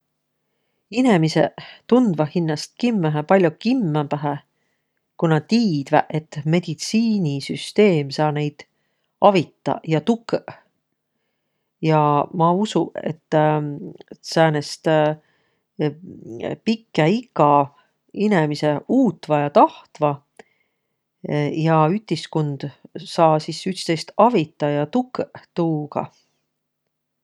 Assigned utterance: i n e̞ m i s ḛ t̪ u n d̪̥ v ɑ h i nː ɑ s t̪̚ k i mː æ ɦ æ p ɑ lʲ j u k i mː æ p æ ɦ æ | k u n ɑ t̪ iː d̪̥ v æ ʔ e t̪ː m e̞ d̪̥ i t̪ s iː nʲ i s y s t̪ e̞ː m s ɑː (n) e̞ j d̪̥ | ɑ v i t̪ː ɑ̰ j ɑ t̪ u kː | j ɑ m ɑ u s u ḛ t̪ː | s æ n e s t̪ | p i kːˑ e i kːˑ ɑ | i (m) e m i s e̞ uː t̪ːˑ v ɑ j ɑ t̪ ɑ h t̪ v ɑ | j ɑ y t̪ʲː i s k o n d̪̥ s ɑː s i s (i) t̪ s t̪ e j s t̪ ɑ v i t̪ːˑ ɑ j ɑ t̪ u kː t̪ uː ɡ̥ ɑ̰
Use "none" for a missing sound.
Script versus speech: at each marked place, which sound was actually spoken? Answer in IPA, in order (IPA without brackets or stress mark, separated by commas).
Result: n, n, y